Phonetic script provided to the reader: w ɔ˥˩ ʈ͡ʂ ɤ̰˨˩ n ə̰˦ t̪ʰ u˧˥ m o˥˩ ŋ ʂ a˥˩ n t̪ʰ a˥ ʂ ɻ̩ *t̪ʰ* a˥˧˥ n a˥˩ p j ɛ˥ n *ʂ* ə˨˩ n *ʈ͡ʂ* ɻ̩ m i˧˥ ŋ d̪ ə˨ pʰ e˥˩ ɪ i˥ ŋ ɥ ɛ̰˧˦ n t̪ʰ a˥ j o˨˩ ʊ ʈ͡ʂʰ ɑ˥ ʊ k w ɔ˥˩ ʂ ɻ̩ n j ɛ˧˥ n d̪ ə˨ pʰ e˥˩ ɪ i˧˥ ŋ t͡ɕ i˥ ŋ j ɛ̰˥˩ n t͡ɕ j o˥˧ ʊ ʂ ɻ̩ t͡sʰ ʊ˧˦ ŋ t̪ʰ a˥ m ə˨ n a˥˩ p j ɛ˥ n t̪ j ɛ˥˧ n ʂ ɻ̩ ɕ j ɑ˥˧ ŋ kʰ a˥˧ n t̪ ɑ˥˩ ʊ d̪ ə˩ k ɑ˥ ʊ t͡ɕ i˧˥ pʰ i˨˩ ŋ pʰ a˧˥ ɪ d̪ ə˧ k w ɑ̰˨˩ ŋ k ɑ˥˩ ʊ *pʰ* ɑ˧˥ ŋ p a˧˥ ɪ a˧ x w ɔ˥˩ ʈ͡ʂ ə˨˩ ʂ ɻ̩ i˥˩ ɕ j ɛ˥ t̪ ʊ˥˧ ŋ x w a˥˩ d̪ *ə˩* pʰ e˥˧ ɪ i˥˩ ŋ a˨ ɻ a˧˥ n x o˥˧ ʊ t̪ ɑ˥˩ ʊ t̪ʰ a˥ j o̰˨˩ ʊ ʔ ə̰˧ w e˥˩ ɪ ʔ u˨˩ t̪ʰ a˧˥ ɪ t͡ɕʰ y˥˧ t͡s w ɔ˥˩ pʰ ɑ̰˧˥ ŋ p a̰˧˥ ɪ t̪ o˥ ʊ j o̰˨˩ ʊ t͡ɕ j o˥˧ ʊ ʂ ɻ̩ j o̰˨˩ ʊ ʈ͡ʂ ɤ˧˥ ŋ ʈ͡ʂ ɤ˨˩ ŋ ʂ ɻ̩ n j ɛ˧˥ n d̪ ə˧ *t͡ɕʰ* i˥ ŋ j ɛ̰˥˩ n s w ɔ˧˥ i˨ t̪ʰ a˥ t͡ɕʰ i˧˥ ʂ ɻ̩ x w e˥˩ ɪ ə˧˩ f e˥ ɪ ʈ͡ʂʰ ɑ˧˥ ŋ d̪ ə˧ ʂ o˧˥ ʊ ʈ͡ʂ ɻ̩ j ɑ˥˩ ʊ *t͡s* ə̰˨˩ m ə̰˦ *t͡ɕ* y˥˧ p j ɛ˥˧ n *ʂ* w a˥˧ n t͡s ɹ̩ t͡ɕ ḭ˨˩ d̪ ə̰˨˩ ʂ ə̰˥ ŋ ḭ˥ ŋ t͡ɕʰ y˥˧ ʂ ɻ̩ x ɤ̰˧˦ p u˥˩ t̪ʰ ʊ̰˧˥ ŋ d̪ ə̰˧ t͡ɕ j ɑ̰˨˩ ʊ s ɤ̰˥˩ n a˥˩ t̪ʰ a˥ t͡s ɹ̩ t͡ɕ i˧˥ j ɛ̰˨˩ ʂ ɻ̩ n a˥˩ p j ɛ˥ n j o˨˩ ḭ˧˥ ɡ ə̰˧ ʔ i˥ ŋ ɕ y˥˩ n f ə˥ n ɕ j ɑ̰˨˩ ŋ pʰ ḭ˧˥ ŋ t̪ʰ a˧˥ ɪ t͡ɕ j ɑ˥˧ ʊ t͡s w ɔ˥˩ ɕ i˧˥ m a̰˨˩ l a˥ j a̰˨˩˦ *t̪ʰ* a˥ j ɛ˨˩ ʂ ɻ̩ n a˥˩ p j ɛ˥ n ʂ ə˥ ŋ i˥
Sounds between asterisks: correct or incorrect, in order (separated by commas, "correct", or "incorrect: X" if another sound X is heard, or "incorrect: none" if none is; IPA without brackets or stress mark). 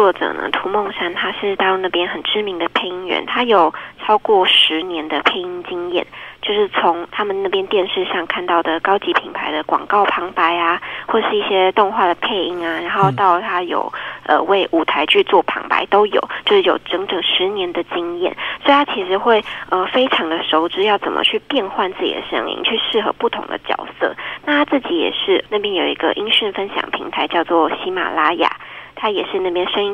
incorrect: t̪, incorrect: x, correct, correct, correct, incorrect: t͡ɕ, correct, incorrect: t͡ɕʰ, incorrect: x, correct